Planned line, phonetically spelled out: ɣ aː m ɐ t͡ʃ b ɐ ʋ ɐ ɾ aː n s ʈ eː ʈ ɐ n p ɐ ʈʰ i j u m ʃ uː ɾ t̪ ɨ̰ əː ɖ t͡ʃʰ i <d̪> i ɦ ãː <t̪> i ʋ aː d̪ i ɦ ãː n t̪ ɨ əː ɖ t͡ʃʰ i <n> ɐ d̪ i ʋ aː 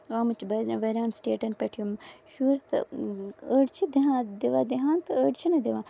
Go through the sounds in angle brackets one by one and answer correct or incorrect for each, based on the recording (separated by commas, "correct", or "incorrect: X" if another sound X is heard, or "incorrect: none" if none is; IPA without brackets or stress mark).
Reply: correct, incorrect: d̪, correct